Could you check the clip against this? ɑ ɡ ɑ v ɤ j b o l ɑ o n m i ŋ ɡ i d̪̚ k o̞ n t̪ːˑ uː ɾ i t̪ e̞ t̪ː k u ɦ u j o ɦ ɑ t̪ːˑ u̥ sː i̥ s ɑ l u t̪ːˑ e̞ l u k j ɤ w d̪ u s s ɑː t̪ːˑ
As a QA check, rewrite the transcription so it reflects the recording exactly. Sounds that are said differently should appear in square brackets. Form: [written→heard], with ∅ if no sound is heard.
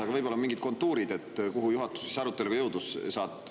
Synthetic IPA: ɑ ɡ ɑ v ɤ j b o l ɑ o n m i ŋ ɡ i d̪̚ k o̞ n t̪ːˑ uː ɾ i [t̪→d̪] e̞ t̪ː k u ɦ u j [o→u] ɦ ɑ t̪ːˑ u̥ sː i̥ s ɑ [l→ɾ] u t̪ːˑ e̞ l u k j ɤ w d̪ u s s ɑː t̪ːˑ

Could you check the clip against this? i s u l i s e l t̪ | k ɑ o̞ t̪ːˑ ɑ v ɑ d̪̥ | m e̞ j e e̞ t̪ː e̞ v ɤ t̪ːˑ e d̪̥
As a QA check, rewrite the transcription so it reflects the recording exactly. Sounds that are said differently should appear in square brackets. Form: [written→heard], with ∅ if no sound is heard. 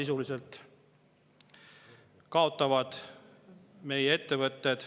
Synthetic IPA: i s u l i s e l t̪ | k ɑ o̞ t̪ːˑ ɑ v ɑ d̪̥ | m e̞ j e e̞ t̪ː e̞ v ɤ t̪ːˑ e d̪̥

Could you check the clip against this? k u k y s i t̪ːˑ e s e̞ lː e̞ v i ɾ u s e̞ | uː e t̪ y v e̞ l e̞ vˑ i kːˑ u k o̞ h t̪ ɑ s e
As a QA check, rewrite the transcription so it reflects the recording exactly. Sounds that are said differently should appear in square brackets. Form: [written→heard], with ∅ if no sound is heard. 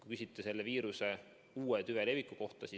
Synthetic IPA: k u k y s i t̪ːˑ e s e̞ lː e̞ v [i→iː] ɾ u s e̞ | uː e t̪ y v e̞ l e̞ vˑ i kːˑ u k o̞ h t̪ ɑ s [e→i]

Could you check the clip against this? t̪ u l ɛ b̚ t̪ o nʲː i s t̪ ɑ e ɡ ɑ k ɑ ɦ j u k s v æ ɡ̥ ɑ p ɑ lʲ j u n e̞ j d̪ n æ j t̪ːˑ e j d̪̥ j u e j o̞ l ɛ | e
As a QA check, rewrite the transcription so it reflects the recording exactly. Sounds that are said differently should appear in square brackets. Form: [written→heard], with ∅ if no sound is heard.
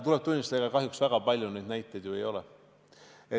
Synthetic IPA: t̪ u l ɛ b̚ t̪ [o→u] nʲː i s t̪ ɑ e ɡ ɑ k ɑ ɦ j u k s v æ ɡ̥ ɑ p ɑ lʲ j u n e̞ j d̪ n æ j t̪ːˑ e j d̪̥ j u e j o̞ l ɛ | e

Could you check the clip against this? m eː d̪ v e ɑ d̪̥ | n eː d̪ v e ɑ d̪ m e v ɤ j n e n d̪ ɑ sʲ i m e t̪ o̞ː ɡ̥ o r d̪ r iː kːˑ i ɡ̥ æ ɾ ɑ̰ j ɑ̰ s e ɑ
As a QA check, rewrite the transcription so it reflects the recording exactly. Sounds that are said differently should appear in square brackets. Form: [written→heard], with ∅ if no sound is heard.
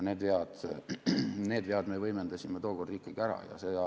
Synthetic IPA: [m→n] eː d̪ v e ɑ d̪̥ | n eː d̪ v e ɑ d̪ m e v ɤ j [n→m] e n d̪ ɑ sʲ i m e t̪ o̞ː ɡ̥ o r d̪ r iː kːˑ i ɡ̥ æ ɾ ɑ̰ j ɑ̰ s e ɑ

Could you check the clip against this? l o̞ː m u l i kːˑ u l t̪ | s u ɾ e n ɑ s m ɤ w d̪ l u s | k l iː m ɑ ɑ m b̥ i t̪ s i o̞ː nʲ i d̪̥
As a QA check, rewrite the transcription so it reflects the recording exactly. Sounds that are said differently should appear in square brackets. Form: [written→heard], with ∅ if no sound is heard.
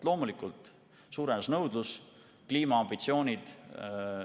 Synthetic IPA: l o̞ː m u l i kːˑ u l t̪ | s [u→uː] ɾ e n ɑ s [m→n] ɤ w d̪ l u s | k l iː m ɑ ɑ m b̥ i t̪ s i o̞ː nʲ i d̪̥

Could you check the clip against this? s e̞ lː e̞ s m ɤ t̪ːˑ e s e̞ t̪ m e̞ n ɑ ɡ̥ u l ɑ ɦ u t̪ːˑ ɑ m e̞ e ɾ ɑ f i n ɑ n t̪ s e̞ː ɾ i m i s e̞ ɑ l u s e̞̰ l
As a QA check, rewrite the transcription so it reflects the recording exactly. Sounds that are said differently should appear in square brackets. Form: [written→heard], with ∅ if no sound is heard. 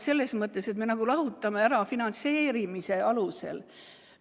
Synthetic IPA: s e̞ lː e̞ s m ɤ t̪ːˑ e s e̞ t̪ m e̞ n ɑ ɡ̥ u l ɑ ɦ u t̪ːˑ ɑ m e̞ [e→æ] ɾ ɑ f i n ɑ n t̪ s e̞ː ɾ i m i s e̞ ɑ l u s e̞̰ l

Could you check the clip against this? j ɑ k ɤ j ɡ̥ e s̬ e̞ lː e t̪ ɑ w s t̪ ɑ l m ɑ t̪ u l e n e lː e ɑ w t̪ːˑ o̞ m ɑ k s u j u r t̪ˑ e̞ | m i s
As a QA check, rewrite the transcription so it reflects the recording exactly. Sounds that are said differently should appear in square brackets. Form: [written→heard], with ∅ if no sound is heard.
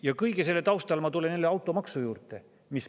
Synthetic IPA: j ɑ k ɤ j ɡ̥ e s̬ e̞ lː e t̪ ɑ w s t̪ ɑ l m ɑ t̪ u l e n e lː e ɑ w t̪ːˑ o̞ m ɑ k s u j [u→uː] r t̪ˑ e̞ | m i s

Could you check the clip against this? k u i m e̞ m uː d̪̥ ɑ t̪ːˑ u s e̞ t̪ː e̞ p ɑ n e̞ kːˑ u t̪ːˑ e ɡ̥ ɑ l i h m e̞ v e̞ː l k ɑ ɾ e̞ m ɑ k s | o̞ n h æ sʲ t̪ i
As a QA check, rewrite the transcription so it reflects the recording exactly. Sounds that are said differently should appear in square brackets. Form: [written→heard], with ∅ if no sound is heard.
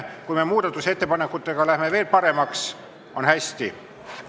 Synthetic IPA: k u [i→j] m e̞ m uː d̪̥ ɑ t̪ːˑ u s e̞ t̪ː e̞ p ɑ n e̞ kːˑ u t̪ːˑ e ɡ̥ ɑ l [i→æ] h m e̞ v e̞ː l [k→p] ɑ ɾ e̞ m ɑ k s | o̞ n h æ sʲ t̪ i

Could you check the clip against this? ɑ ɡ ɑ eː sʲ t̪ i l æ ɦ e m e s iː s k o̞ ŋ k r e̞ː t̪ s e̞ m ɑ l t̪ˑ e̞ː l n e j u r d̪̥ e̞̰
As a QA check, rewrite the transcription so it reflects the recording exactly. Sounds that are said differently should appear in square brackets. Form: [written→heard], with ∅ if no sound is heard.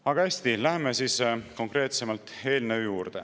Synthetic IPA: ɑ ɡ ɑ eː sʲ t̪ i l æ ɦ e m e s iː s k o̞ ŋ k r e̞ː t̪ s e̞ m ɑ l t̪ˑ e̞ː l n e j [u→uː] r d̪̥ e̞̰

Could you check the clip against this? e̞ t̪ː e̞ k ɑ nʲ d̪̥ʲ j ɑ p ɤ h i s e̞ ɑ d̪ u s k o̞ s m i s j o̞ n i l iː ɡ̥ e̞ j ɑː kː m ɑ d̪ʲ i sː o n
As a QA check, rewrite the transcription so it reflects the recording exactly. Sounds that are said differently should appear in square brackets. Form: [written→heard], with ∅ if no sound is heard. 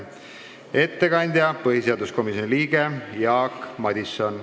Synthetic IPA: e̞ t̪ː e̞ k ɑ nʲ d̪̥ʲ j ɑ p ɤ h i s e̞ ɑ d̪ u s k o̞ [s→∅] m i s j o̞ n i l iː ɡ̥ e̞ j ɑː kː m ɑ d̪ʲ i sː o n

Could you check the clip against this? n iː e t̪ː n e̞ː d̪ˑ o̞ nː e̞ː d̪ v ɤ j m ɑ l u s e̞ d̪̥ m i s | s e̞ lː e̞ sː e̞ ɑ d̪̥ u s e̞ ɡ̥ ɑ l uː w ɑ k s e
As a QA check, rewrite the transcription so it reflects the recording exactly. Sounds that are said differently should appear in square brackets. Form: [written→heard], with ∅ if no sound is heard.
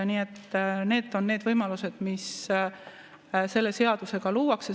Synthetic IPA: n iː e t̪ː n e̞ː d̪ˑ o̞ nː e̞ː d̪ v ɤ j m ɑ l u s e̞ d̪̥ m i s | s e̞ lː e̞ [sː→s] e̞ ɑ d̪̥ u s e̞ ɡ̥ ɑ l uː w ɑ k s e

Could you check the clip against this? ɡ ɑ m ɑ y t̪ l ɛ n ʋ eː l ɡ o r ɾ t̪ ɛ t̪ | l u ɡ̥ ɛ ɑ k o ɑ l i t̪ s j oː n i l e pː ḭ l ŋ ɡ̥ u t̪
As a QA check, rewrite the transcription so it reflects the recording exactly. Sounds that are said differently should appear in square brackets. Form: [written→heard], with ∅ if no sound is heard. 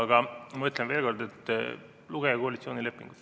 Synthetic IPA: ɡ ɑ m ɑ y t̪ l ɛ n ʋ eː l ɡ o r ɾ [t̪→d̪] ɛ t̪ | l u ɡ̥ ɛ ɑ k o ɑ l i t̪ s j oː n i l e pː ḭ [l→∅] ŋ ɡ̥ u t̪

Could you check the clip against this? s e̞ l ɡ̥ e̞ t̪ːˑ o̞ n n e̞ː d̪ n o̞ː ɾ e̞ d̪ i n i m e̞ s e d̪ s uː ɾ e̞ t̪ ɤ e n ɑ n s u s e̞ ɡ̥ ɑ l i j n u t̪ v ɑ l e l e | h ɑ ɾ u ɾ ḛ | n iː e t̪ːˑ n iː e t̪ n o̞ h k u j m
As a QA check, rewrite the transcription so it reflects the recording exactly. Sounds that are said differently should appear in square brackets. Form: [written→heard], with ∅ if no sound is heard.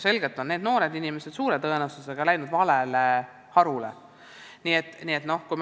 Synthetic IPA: s e̞ l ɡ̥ e̞ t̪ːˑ o̞ n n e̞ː d̪ n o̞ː ɾ e̞ d̪ i n i m e̞ s e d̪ s uː ɾ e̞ t̪ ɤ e n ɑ [n→∅] s u s e̞ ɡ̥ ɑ l [i→æ] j n u [t̪→d̪] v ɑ l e l e | h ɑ ɾ u [ɾ→l] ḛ | n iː e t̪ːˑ n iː e t̪ n o̞ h k u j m

